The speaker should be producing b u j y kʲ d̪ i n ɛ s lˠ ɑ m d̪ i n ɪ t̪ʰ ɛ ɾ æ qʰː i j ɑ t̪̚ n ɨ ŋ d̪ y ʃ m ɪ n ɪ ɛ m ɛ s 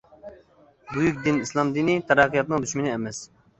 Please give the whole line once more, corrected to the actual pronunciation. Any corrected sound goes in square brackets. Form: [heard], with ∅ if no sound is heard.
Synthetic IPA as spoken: b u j y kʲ d̪ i n [i] s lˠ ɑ m d̪ i n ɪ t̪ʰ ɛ ɾ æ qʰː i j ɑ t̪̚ n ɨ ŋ d̪ y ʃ m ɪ n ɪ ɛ m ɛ s